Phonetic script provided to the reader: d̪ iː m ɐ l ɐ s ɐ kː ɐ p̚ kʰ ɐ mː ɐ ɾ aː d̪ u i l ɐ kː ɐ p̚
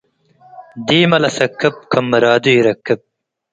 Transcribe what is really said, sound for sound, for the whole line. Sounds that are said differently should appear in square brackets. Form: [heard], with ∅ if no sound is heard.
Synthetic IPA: d̪ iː m ɐ l ɐ s ɐ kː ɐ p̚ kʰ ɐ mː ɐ ɾ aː d̪ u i [ɾ] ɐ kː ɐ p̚

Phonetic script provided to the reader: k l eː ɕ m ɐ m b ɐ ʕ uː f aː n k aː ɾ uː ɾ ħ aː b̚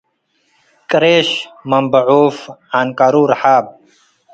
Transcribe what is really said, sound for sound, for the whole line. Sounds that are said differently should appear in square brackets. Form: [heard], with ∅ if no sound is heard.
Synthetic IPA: k [ɾ] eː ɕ m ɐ m b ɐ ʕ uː f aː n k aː ɾ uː ɾ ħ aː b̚

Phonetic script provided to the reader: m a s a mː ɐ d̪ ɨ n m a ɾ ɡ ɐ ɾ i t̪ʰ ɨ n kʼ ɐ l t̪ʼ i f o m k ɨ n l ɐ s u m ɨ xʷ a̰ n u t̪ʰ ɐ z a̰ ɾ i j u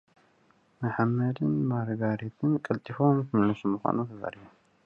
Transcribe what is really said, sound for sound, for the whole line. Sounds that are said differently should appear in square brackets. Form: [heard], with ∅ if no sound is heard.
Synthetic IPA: m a [ħ] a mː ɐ d̪ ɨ n m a ɾ ɡ [a] ɾ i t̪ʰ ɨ n kʼ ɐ l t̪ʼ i f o m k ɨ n l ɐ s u m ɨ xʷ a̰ n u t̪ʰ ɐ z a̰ ɾ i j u

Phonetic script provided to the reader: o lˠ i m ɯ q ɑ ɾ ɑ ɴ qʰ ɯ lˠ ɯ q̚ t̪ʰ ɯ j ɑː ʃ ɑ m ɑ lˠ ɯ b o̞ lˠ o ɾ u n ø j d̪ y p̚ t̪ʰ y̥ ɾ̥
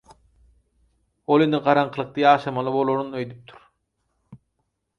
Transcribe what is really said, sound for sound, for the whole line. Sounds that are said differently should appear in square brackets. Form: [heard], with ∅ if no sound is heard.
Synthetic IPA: o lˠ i [n] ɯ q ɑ ɾ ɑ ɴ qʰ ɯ lˠ ɯ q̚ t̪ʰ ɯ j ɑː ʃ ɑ m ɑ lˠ ɯ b o̞ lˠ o ɾ u n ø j d̪ y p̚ t̪ʰ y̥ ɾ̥

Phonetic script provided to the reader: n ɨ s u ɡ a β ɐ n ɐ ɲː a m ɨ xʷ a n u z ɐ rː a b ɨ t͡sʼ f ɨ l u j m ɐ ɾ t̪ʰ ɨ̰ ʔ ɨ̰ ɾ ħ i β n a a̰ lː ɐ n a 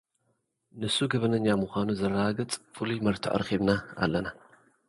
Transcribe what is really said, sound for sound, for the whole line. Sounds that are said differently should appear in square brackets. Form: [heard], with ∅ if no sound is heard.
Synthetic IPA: n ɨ s u ɡ [ɐ] β ɐ n ɐ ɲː a m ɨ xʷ a n u z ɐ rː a [ɡ] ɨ t͡sʼ f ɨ l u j m ɐ ɾ t̪ʰ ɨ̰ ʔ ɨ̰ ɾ [x] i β n a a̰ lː ɐ n a

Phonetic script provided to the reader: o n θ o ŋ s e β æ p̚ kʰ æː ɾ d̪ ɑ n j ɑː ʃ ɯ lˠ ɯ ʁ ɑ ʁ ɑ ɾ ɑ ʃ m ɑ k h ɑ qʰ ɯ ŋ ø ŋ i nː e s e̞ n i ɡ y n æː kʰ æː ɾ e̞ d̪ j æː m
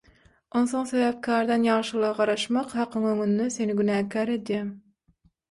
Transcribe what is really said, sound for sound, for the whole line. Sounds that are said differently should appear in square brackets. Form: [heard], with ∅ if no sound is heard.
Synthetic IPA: o n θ o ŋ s e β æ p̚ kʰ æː ɾ d̪ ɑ n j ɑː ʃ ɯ lˠ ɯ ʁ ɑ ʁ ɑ ɾ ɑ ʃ m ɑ [q] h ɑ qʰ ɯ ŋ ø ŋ [y] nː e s e̞ n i ɡ y n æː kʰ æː ɾ e̞ d̪ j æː m

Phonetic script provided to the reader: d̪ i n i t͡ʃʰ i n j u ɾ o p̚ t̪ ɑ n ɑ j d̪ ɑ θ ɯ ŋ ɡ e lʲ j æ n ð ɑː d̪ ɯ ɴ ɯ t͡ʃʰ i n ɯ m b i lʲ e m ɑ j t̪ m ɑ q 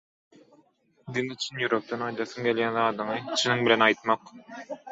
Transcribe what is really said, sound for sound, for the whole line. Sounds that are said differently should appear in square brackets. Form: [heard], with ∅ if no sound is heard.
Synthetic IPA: d̪ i n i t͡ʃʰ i n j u ɾ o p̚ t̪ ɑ n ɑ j d̪ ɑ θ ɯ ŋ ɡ e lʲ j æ n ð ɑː d̪ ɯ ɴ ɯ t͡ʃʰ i n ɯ [ŋ] b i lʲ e [n] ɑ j t̪ m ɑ q

